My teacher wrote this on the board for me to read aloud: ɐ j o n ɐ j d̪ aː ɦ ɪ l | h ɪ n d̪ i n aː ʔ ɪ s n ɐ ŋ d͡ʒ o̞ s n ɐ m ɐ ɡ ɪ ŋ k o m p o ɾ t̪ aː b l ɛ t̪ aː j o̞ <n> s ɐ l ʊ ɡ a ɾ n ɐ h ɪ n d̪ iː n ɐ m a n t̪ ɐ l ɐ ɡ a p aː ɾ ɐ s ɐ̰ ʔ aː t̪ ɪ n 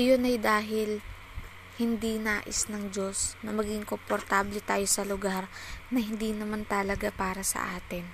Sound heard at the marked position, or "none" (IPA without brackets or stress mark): none